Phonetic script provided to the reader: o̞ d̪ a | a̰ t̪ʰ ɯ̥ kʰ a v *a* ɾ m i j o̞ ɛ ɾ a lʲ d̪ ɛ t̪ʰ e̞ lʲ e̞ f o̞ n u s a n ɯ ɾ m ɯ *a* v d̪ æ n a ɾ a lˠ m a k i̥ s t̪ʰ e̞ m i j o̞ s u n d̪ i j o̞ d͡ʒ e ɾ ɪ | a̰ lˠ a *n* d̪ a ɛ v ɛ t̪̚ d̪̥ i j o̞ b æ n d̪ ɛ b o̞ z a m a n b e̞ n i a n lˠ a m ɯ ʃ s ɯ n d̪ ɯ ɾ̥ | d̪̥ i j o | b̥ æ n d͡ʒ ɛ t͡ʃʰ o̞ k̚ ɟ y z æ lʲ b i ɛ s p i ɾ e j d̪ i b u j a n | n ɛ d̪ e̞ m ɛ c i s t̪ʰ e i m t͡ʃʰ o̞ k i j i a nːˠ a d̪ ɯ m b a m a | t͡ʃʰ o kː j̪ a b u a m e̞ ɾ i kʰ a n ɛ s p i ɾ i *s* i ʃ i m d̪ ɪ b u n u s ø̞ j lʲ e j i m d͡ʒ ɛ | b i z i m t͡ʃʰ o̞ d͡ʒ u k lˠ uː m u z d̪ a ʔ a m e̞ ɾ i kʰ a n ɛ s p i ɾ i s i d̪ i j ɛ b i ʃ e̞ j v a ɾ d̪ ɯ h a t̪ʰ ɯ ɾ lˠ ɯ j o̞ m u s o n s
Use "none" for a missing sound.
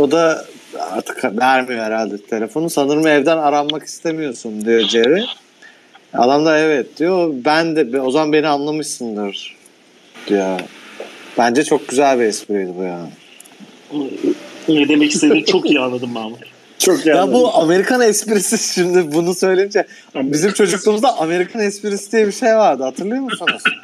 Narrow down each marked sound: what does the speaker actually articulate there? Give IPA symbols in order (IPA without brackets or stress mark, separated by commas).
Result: æ, ɛ, m, s